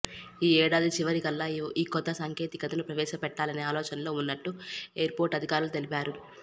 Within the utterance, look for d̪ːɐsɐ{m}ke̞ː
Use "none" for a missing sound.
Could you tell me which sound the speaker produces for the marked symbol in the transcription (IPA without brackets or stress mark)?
ŋ